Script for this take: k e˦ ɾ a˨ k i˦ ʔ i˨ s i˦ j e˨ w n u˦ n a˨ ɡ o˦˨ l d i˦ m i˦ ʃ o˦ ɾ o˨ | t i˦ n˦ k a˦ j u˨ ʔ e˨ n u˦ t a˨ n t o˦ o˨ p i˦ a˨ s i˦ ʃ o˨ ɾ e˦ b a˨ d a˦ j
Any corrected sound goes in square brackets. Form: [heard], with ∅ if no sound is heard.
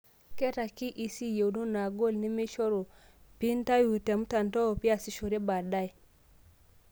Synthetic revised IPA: k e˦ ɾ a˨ k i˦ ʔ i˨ s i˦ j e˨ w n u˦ n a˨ ɡ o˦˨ l [n] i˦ m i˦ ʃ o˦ ɾ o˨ | [p] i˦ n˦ [t] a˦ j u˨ [t] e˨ [m] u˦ t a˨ n t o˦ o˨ p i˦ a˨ s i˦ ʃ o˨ ɾ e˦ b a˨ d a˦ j